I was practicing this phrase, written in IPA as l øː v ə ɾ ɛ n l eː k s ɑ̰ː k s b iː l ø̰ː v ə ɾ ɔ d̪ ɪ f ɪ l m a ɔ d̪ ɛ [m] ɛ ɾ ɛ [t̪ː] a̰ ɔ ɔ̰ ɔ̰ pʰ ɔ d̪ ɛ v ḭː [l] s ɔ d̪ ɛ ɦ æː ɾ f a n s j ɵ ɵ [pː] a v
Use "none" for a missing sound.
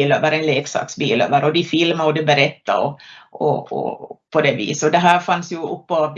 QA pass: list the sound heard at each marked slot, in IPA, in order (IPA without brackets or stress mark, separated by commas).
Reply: b, t̪ː, none, pː